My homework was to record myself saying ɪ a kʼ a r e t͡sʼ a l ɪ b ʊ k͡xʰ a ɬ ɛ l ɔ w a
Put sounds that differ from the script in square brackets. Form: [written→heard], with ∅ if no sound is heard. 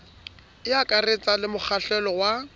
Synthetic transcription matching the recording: ɪ a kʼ a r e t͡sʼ a l ɪ [b→m] ʊ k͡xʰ a ɬ ɛ l ɔ w a